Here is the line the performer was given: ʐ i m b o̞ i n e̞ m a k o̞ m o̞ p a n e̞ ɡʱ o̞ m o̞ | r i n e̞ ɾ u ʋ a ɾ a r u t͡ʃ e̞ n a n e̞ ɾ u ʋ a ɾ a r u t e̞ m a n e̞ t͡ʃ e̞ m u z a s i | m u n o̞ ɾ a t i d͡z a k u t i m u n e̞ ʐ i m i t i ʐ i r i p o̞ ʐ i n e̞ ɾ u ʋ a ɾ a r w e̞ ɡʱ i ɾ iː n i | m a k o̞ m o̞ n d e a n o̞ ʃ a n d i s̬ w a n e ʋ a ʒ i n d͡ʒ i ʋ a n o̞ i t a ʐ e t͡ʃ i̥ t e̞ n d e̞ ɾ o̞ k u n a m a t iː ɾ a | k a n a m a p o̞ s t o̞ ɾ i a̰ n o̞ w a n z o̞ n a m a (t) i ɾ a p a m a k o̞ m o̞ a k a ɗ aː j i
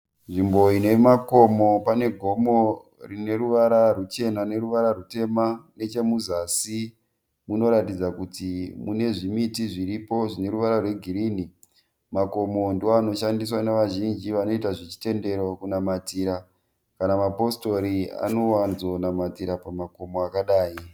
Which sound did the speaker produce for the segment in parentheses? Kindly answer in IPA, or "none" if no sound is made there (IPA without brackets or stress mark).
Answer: t